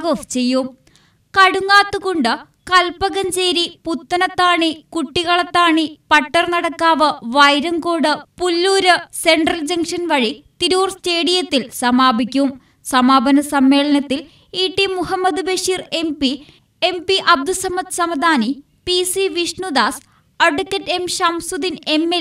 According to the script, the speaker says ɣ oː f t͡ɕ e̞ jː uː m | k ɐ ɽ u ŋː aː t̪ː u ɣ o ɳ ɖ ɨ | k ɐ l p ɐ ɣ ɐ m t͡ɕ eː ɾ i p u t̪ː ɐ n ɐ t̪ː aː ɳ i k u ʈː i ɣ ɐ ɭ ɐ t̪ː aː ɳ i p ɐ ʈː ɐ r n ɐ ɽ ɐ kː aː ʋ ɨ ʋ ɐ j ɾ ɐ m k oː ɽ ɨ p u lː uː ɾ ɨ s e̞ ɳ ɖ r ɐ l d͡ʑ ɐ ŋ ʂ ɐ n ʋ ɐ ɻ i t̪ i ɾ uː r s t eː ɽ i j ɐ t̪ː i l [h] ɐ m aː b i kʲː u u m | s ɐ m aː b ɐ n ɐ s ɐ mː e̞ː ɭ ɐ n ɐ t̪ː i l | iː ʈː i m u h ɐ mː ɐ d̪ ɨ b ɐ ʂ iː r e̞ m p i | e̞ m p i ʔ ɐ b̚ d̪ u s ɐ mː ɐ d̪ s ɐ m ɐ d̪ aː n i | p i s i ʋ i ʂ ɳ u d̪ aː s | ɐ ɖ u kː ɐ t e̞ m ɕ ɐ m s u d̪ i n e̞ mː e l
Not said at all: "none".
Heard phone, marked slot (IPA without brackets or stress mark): s